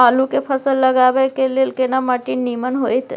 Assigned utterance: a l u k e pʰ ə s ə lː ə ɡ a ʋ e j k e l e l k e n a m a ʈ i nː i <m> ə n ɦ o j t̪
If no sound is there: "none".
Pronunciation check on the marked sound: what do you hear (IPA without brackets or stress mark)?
m